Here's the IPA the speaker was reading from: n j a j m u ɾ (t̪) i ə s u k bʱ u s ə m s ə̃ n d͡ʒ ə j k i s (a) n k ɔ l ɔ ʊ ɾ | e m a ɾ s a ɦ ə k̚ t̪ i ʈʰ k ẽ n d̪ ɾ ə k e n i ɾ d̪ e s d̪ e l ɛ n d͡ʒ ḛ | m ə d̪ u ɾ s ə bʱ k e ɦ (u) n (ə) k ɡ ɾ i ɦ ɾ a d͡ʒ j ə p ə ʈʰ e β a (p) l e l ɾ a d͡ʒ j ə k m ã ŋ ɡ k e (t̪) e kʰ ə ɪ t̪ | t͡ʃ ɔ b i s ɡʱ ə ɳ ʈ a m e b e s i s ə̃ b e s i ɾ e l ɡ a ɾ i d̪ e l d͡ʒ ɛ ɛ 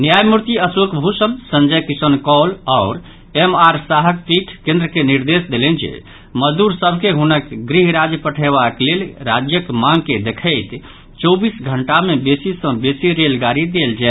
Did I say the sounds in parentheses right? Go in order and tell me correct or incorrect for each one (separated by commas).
correct, incorrect, correct, correct, incorrect, incorrect